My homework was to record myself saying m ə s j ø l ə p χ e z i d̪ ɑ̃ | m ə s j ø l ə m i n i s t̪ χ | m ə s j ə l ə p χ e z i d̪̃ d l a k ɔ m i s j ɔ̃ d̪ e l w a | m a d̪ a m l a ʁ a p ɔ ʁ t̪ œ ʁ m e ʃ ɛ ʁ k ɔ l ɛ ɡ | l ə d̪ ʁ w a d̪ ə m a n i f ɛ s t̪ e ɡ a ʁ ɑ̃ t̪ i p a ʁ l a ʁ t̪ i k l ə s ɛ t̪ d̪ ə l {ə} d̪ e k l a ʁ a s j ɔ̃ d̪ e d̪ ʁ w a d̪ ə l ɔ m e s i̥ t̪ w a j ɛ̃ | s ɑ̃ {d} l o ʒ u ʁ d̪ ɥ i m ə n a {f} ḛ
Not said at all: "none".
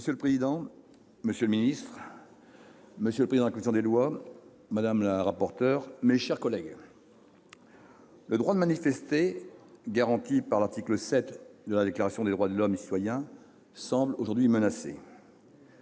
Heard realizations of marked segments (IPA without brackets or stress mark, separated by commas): a, b, s